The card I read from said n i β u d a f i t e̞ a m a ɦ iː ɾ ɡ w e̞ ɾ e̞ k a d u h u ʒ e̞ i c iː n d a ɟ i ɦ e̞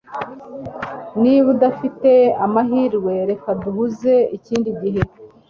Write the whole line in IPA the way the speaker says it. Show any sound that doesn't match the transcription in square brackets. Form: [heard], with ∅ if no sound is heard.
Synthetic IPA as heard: n i β u d a f i t e̞ a m a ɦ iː ɾ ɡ w e̞ ɾ e̞ k a d u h u [z] e̞ i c iː n d [i] ɟ i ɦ e̞